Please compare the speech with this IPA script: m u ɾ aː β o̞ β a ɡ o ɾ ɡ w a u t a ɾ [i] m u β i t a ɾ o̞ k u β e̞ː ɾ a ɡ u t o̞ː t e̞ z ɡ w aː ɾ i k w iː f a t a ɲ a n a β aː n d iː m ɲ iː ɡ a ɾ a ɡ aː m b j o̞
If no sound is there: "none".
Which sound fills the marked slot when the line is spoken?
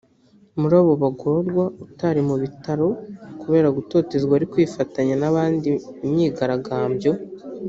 i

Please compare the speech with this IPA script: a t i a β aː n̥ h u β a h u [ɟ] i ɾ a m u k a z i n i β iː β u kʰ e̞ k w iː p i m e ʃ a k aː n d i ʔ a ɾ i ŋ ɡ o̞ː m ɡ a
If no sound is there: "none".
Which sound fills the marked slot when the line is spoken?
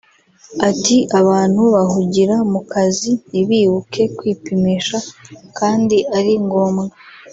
ɟ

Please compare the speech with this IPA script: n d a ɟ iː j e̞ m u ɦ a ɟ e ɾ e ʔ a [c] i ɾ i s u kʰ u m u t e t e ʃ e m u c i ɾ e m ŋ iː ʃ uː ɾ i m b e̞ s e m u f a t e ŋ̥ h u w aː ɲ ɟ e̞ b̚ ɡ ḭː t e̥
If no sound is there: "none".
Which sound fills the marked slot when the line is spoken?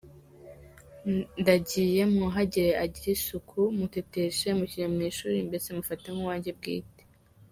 ɟ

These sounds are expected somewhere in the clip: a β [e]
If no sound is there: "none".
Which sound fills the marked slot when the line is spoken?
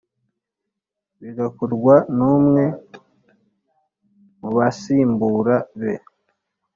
e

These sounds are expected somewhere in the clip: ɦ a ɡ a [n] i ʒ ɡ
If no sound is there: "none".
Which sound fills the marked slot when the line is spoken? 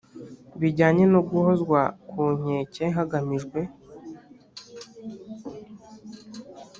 m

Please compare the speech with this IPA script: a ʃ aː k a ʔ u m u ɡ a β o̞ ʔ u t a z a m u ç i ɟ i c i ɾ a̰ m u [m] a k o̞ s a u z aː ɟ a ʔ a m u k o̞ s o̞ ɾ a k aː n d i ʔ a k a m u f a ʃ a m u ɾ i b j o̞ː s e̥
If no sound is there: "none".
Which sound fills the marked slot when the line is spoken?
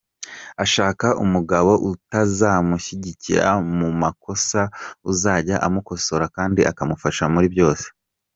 m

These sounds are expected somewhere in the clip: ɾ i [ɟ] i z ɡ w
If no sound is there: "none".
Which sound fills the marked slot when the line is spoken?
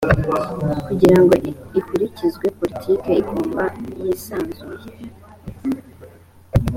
c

